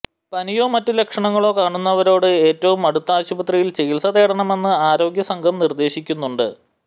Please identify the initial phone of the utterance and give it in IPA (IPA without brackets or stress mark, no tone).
p